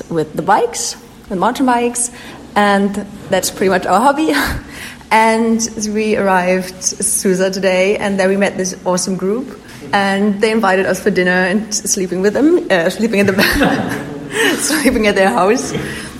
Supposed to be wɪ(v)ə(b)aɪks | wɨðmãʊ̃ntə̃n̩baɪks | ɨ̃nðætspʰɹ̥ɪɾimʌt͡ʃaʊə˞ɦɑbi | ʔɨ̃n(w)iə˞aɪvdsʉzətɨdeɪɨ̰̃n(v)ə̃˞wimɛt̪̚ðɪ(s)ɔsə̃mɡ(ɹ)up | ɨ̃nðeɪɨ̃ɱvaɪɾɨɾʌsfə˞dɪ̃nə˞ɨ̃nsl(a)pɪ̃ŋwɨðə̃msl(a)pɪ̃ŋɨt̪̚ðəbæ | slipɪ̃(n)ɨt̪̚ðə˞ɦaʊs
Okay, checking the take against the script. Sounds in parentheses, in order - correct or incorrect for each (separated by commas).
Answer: incorrect, correct, correct, incorrect, correct, correct, incorrect, incorrect, incorrect